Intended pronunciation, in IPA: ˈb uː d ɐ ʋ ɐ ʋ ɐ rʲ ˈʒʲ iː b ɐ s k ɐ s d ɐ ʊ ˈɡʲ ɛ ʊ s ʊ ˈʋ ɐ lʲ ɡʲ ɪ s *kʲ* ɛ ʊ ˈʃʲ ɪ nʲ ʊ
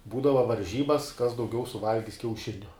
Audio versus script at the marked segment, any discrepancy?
no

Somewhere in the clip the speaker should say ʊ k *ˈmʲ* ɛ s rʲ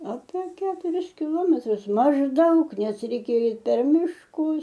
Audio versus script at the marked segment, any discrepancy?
yes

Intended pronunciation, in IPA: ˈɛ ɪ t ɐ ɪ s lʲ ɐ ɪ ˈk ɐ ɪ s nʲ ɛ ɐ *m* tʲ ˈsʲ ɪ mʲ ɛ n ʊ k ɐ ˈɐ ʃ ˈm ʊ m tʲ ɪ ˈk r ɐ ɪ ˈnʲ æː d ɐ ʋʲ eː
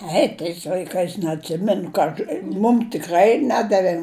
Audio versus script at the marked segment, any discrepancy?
yes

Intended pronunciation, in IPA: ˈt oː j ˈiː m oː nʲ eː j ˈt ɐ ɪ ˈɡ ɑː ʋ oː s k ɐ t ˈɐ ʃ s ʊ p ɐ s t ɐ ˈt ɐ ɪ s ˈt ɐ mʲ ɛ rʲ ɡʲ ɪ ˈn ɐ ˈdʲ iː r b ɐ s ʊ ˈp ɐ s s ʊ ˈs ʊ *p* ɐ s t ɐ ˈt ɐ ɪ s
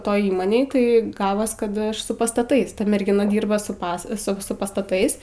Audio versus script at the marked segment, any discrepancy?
no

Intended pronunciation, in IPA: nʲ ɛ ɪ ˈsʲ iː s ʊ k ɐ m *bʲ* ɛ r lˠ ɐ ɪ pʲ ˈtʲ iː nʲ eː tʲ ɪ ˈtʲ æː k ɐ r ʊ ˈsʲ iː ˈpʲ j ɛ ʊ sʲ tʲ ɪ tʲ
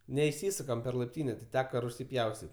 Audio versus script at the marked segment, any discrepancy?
yes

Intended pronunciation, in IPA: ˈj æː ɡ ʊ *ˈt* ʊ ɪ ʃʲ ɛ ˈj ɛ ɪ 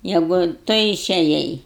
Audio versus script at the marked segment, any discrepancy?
no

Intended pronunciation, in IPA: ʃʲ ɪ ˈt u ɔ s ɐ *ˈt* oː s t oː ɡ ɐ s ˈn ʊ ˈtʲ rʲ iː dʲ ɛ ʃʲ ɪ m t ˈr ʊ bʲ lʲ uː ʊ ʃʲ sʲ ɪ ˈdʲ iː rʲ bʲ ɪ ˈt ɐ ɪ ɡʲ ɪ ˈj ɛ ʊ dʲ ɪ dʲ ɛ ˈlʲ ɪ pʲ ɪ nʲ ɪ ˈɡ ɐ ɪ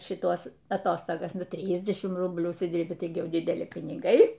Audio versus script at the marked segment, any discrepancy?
no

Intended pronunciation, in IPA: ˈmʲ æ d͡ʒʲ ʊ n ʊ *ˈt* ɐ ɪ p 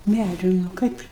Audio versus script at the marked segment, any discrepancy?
yes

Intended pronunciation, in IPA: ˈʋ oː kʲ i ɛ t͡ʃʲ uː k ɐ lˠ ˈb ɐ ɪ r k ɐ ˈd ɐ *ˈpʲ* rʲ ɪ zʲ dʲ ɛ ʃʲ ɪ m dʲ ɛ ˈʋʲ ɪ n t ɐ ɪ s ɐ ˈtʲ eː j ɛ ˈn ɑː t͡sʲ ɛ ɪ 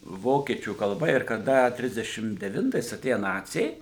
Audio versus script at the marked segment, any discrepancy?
yes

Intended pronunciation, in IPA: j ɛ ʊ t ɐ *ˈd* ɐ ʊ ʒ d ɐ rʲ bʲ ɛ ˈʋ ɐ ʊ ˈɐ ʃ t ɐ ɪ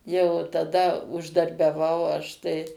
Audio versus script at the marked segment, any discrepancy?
no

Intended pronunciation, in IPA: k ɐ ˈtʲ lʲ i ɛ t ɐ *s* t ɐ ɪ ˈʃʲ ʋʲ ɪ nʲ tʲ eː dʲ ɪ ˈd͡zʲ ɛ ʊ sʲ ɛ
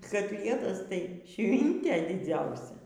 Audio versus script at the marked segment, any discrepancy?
no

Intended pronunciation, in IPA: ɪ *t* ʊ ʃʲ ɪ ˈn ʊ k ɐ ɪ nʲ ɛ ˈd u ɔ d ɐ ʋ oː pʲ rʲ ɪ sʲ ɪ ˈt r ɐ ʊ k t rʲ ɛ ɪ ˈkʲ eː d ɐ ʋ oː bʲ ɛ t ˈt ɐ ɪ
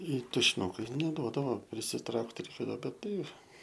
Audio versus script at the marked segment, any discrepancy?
no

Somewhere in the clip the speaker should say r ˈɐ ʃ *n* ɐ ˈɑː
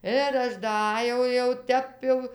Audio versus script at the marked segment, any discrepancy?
yes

